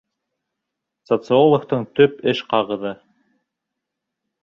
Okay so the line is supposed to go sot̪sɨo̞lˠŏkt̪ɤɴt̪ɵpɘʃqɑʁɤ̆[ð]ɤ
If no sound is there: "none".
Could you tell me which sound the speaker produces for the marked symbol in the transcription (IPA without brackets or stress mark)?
ð